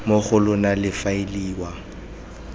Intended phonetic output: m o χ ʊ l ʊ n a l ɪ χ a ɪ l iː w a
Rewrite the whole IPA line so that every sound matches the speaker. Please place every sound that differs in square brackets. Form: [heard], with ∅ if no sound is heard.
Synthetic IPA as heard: m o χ ʊ l ʊ n a l ɪ [f] a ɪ l iː w a